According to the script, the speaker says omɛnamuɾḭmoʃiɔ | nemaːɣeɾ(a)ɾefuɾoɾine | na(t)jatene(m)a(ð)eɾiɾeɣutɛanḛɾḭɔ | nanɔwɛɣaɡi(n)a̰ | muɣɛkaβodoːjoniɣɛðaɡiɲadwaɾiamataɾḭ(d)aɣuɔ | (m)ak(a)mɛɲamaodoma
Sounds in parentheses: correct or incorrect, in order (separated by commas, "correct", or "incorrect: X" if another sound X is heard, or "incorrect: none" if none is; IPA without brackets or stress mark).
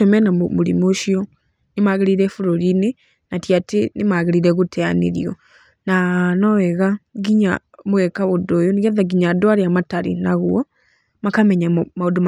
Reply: incorrect: i, correct, correct, incorrect: ɣ, incorrect: ɲ, incorrect: n, correct, correct